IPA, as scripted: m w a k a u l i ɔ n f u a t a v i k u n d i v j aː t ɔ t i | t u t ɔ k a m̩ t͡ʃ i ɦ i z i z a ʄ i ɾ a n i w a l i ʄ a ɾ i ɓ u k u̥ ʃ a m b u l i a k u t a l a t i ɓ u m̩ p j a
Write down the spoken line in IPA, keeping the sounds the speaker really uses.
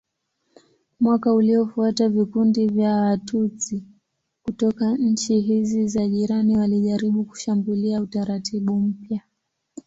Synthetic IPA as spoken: m w a k a u l i ɔ f u a t a v i k u n d i v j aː t u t i | k u t ɔ k a ɲ̩ t͡ʃ i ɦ i z i z a ʄ i ɾ a n i w a l i ʄ a ɾ i ɓ u k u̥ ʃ a m b u l i a u t a ɾ a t i ɓ u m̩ p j a

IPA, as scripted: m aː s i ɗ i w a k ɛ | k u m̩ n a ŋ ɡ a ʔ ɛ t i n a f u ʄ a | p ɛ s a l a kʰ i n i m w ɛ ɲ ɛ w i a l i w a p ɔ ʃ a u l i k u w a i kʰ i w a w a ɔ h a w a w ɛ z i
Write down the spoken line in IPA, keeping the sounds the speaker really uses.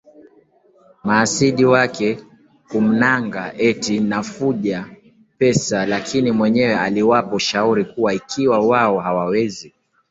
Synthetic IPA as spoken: m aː s i ɗ i w a k ɛ | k u m̩ n a ŋ ɡ a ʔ ɛ t i n a f u ʄ a | p ɛ s a l a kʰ i n i m w ɛ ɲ ɛ w ɛ a l i w a p ɔ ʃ a u ɾ i k u w a i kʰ i w a w a ɔ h a w a w ɛ z i

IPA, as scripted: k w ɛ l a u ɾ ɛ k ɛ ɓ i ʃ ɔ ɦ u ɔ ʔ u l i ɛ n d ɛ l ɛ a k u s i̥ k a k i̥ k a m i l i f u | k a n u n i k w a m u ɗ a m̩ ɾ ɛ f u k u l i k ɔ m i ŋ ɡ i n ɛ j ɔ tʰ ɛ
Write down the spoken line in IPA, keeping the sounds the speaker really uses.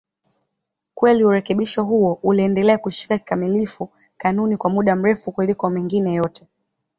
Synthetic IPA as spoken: k w ɛ l i u ɾ ɛ k ɛ ɓ i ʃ ɔ ɦ u ɔ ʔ u l i ɛ n d ɛ l ɛ a k u ʃ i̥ k a k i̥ k a m i l i f u | k a n u n i k w a m u ɗ a m̩ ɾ ɛ f u k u l i k ɔ m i ŋ ɡ i n ɛ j ɔ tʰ ɛ

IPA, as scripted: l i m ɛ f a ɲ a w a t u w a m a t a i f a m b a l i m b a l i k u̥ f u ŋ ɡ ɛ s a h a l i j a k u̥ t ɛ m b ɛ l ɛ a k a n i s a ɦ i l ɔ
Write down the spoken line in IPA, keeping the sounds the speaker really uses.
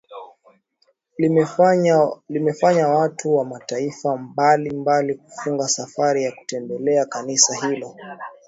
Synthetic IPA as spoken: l i m ɛ f a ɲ a w a t u w a m a t a i f a m b a l i m b a l i k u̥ f u ŋ ɡ a s a f a ɾ i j a k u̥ t ɛ m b ɛ l ɛ a k a n i s a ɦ i l ɔ

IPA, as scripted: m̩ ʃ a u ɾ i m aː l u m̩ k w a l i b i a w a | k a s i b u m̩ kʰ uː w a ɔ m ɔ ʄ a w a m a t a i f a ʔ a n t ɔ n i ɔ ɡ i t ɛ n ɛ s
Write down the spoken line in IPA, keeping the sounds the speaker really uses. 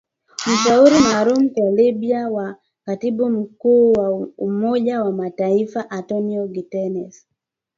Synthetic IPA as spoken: m̩ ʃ a u ɾ i m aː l u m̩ k w a l i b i a w a | k a t i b u m̩ k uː w a u m ɔ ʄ a w a m a t a i f a ʔ a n t ɔ n i ɔ ɡ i t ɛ n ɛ s

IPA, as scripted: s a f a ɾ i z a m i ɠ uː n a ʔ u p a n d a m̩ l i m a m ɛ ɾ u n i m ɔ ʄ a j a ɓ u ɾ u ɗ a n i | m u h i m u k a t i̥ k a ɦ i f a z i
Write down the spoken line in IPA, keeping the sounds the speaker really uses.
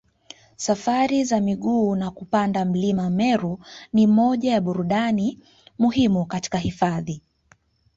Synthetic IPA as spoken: s a f a ɾ i z a m i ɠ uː n a k u p a n d a m̩ l i m a m ɛ ɾ u n i m ɔ ʄ a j a ɓ u ɾ u ɗ a n i | m u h i m u k a t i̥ k a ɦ i f a ð i

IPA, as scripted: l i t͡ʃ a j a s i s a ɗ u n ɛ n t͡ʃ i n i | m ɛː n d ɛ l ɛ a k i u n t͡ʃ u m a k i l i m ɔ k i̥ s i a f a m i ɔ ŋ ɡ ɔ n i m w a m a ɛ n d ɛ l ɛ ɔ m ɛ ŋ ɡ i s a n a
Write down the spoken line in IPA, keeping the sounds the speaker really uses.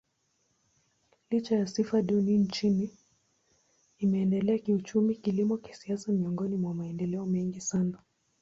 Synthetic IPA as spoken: l i t͡ʃ a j a s i f a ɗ u n i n t͡ʃ i n i | m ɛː n d ɛ l ɛ a k i u t͡ʃ u m i k i l i m ɔ k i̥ s i a s a m i ɔ ŋ ɡ ɔ n i m w a m a ɛ n d ɛ l ɛ ɔ m ɛ ŋ ɡ i s a n a

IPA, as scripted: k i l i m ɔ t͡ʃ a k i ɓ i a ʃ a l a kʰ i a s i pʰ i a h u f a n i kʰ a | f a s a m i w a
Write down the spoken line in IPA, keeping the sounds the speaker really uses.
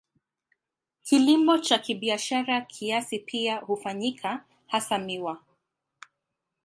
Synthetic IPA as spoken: k i l i m ɔ t͡ʃ a k i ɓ i a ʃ a ɾ a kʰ i a s i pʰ i a h u f a ɲ i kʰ a | h a s a m i w a

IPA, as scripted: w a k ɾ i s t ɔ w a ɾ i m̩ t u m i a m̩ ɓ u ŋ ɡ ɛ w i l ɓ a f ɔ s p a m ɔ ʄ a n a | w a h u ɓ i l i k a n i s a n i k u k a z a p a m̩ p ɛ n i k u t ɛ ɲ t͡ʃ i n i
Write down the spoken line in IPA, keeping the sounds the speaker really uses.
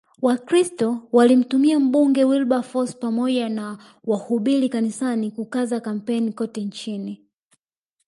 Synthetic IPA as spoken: w a k ɾ i s t ɔ w a l i m̩ t u m i a m̩ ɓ u ŋ ɡ ɛ w i l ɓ a f ɔ s p a m ɔ ʄ a n a | w a h u ɓ i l i k a n i s a n i k u k a z a k a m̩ p ɛ n i k ɔ t ɛ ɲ t͡ʃ i n i

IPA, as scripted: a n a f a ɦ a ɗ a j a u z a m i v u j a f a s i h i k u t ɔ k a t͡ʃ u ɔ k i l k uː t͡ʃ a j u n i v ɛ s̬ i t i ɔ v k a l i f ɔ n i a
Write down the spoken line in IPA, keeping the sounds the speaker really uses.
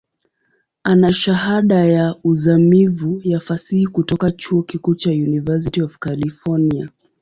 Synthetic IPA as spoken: a n a ʃ a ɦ a ɗ a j a u z a m i v u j a f a s i h i k u t ɔ k a t͡ʃ u ɔ k i k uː t͡ʃ a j u n i v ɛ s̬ i t i ɔ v k a l i f ɔ n i a

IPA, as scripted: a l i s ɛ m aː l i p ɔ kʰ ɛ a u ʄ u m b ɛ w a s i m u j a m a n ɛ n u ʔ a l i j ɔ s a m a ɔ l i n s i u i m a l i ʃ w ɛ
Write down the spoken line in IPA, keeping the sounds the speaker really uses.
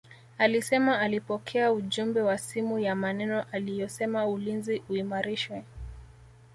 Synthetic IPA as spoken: a l i s ɛ m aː l i p ɔ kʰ ɛ a u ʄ u m b ɛ w a s i m u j a m a n ɛ n ɔ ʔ a l i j ɔ s ɛ m a u l i n z i u i m a ɾ i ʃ w ɛ

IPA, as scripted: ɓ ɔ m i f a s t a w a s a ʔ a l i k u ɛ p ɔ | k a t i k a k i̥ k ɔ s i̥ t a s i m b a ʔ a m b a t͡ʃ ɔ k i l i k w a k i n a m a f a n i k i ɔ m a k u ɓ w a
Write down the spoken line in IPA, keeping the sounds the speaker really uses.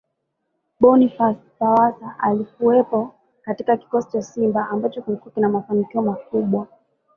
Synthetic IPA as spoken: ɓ ɔ n i f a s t a w a s a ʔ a l i k u ɛ p ɔ | k a t i k a k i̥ k ɔ s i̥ t͡ʃ a s i m b a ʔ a m b a t͡ʃ ɔ k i l i k u a k i n a m a f a n i k i ɔ m a k u ɓ w a

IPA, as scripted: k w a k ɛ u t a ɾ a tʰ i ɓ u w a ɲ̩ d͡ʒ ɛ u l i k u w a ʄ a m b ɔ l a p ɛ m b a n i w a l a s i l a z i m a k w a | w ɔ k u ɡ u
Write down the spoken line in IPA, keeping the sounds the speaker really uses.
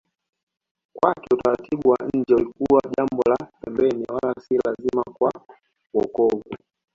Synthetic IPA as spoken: k w a k ɛ u t a ɾ a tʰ i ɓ u w a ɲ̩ d͡ʒ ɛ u l i k u w a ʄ a m b ɔ l a p ɛ m b ɛ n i w a l a s i l a z i m a k w a | w ɔ k ɔ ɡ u

